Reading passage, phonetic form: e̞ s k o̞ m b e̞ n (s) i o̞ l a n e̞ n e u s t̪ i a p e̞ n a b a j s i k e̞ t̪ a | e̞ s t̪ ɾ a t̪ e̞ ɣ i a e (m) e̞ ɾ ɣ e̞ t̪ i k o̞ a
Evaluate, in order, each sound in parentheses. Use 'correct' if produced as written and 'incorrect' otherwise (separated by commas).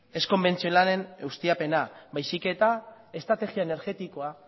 incorrect, incorrect